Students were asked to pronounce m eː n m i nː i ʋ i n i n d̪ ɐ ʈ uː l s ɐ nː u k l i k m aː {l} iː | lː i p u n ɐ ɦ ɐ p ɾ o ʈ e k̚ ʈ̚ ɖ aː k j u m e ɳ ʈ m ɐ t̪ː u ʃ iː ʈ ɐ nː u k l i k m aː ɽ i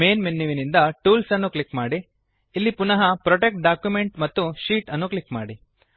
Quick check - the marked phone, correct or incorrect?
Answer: incorrect